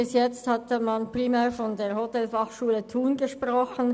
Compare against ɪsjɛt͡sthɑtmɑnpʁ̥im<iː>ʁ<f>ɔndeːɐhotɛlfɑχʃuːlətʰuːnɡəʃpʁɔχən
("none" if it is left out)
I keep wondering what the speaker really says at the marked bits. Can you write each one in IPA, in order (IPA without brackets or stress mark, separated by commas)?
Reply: ɛː, f